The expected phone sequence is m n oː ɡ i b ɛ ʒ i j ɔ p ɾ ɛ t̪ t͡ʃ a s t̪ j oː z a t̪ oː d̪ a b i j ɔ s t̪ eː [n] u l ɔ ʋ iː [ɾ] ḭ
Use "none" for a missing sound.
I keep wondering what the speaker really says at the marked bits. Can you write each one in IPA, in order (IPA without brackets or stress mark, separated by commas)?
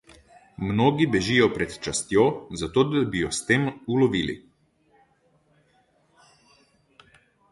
m, l